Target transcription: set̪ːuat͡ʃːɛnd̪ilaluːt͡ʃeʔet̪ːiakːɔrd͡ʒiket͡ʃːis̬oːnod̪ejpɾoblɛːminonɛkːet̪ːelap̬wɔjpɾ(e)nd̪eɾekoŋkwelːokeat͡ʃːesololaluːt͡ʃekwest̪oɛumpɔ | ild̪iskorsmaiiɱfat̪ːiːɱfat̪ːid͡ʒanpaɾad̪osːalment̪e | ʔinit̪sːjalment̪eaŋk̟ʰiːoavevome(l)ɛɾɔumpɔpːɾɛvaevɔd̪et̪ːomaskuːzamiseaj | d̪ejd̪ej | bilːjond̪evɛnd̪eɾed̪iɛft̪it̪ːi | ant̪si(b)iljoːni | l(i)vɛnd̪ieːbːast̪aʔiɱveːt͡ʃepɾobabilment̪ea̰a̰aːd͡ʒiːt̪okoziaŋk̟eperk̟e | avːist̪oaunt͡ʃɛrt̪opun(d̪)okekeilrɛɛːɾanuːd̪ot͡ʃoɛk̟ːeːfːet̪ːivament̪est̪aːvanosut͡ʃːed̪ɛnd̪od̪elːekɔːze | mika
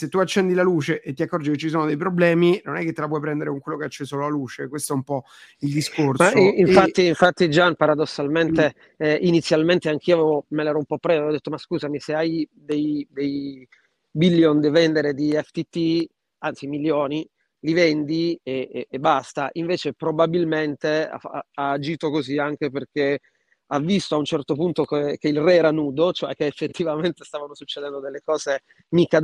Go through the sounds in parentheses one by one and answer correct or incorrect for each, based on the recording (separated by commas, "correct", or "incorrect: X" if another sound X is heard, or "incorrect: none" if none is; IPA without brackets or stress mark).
incorrect: ɛ, correct, incorrect: m, correct, incorrect: t̪